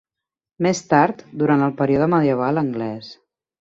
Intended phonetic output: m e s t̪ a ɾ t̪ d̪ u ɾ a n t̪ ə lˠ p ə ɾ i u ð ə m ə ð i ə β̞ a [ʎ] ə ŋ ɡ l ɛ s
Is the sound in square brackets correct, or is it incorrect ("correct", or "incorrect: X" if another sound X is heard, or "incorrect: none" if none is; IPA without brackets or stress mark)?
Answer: incorrect: l